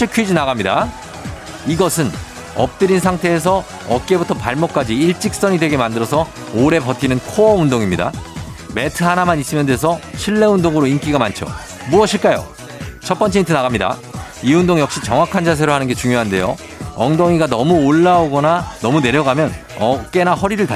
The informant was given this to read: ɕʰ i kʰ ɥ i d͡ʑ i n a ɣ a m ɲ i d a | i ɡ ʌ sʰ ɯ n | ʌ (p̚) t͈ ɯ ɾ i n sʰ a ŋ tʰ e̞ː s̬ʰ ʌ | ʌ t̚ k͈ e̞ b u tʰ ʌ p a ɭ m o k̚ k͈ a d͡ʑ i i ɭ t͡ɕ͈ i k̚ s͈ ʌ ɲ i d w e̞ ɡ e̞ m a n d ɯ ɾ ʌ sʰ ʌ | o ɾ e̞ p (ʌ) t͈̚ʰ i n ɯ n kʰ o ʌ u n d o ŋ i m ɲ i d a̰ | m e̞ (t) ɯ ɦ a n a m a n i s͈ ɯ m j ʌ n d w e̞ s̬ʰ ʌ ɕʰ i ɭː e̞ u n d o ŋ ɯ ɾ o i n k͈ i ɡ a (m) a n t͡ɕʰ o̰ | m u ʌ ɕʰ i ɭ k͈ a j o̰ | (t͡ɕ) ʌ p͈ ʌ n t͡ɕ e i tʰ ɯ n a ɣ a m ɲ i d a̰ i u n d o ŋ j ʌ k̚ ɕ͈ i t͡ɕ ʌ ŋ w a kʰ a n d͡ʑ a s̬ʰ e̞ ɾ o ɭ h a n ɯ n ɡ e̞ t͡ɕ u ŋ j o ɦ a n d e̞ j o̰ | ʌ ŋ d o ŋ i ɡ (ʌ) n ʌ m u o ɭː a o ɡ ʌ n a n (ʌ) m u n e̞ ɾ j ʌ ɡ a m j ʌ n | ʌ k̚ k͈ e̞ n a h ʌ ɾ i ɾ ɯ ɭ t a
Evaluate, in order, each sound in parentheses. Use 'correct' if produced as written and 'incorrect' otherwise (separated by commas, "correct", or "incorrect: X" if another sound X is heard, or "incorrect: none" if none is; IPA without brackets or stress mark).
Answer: correct, correct, incorrect: tʰ, correct, incorrect: t͡ɕʰ, incorrect: a, correct